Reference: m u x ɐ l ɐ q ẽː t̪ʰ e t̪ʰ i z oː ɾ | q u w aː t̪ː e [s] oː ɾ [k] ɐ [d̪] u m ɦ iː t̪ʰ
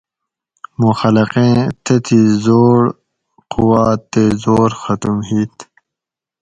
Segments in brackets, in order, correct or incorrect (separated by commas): incorrect, incorrect, incorrect